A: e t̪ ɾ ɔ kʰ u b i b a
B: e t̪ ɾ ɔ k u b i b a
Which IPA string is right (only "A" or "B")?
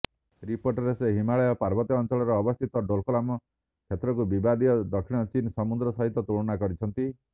B